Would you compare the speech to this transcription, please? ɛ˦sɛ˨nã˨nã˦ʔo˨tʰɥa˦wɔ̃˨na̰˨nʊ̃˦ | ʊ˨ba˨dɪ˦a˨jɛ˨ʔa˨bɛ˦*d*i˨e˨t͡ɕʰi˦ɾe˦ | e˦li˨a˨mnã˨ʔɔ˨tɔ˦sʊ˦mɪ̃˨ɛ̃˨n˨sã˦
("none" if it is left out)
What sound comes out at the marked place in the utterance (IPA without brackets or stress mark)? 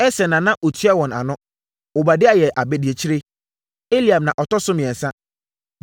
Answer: d